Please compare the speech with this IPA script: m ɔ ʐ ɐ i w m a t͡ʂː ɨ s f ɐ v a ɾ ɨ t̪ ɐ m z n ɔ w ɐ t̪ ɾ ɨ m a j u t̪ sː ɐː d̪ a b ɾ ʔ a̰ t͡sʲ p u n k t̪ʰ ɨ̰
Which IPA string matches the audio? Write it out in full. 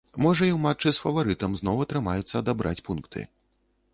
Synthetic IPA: m ɔ ʐ ɐ i w m a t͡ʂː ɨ s f ɐ v a ɾ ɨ t̪ ɐ m z n ɔ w ɐ t̪ ɾ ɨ m a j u t̪ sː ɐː d̪ a b ɾ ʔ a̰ t͡sʲ p u n k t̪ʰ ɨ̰